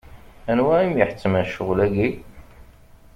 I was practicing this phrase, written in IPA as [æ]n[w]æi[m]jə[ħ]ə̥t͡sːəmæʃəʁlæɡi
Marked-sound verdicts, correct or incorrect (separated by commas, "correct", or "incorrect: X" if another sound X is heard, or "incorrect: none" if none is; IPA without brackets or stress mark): correct, correct, correct, correct